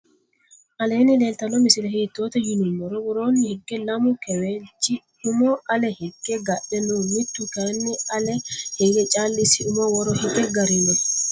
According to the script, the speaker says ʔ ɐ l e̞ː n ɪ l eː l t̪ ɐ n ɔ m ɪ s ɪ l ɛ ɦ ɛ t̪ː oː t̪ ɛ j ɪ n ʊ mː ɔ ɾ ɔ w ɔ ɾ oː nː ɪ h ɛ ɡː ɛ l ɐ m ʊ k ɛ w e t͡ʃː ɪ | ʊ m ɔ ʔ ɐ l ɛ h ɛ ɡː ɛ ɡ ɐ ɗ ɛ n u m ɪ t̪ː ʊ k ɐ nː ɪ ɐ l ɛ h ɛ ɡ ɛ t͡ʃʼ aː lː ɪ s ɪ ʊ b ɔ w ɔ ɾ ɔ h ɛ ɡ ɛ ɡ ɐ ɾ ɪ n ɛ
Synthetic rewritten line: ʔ ɐ l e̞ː n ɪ l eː l t̪ ɐ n ɔ m ɪ s ɪ l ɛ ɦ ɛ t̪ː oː t̪ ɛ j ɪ n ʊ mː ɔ ɾ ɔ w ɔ ɾ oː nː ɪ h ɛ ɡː ɛ l ɐ m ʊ k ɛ w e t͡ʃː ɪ | ʊ m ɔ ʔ ɐ l ɛ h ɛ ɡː ɛ ɡ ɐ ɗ ɛ n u m ɪ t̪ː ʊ k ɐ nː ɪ ɐ l ɛ h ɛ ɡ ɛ t͡ʃʼ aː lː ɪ s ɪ ʊ m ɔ w ɔ ɾ ɔ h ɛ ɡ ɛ ɡ ɐ ɾ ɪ n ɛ